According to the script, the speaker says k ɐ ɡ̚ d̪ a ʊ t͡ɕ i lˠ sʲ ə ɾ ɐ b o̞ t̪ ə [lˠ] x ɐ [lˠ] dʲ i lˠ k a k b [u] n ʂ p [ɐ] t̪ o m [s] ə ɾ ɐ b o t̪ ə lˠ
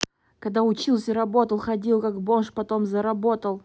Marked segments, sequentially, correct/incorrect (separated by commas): correct, incorrect, incorrect, correct, incorrect